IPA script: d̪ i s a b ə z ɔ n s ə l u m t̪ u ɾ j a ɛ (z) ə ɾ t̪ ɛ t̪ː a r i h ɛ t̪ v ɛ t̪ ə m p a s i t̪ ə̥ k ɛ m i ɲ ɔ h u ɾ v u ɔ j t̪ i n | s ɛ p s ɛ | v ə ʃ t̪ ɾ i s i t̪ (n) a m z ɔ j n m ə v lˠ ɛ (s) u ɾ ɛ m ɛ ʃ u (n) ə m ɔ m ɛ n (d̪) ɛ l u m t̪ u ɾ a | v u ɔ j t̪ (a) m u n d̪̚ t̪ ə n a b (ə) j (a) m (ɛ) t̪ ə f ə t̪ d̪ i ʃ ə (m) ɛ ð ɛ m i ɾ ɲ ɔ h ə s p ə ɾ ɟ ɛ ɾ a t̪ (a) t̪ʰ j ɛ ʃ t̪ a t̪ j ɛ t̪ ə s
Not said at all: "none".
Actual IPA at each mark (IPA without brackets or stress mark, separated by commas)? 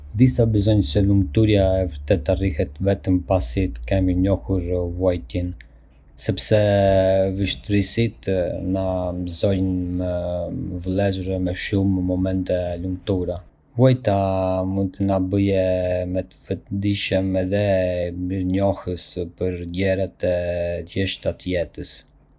v, n, z, m, t̪, a, ə, ɛ, ɛ, m, ɛ